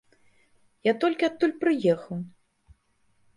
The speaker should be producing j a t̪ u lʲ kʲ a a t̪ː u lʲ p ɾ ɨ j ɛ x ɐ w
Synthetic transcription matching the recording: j a t̪ ɔ lʲ kʲ i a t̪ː u lʲ p ɾ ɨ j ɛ x ɐ w